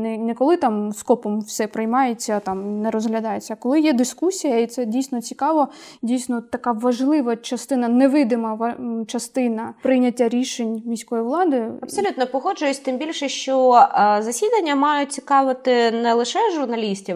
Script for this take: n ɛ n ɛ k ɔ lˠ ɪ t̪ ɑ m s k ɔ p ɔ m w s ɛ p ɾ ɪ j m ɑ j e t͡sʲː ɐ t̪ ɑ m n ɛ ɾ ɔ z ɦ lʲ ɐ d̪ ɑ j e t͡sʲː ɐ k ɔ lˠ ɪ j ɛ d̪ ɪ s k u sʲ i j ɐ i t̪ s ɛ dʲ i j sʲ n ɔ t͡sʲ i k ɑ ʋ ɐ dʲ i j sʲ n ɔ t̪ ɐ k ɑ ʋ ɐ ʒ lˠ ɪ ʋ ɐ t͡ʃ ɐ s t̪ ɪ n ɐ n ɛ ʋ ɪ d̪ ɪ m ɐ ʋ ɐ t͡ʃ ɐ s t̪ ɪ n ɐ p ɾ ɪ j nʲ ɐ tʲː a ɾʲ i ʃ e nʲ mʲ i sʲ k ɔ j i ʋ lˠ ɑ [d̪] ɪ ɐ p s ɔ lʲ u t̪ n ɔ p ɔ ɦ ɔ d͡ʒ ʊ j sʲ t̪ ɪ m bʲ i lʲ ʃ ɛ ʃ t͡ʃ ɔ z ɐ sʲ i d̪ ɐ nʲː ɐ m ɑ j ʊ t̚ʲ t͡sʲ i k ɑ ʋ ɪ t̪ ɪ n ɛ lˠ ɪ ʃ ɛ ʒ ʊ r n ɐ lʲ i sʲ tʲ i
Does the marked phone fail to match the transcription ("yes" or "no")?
no